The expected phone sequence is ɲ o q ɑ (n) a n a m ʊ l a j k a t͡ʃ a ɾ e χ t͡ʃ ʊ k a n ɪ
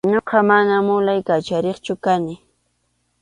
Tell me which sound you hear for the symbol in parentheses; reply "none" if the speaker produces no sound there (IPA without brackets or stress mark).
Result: m